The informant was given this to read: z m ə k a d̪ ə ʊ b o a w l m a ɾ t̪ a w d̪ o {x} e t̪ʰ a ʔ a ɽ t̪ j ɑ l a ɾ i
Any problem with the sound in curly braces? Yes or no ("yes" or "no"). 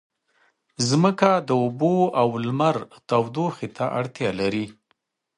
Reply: no